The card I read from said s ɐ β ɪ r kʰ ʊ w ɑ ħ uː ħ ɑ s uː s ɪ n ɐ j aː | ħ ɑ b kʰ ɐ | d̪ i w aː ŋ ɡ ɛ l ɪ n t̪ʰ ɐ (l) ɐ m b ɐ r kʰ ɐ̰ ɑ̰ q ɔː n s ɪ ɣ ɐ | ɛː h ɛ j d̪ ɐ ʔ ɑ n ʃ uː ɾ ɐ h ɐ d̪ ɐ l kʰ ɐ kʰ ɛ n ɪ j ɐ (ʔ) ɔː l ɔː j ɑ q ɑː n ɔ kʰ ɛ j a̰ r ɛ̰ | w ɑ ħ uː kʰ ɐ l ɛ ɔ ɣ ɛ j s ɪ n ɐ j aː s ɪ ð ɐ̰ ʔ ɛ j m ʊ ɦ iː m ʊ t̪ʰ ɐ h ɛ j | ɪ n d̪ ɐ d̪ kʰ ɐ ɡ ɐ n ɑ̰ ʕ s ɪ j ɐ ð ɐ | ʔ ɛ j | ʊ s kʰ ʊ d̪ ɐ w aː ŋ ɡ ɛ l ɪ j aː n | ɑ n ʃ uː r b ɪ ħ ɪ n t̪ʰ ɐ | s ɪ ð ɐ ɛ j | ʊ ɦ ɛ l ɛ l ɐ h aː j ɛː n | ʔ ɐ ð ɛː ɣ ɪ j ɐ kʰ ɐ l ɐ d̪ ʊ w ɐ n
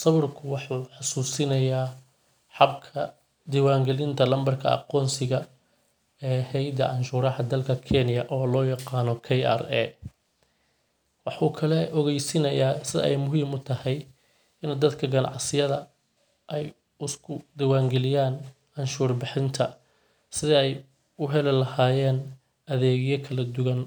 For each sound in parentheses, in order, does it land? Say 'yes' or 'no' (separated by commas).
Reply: yes, yes